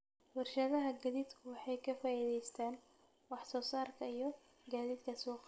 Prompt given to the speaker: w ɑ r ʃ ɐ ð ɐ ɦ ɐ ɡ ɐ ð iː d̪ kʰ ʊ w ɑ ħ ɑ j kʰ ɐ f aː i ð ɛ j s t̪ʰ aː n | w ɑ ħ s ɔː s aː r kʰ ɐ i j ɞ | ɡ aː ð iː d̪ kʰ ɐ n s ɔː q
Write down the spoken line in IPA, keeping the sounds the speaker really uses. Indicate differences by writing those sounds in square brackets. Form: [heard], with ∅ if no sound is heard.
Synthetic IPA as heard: w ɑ r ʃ ɐ ð ɐ ɦ ɐ ɡ ɐ ð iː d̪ kʰ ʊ w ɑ ħ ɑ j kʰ ɐ f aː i ð ɛ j s t̪ʰ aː n | w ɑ ħ s ɔː s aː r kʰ ɐ i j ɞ | ɡ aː ð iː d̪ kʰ ɐ [∅] s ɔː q